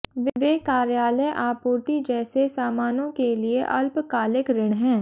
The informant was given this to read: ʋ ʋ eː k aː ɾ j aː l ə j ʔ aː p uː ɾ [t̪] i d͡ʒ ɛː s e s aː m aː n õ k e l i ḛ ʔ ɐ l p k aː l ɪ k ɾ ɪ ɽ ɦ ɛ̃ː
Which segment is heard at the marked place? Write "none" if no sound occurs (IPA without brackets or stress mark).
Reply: t̪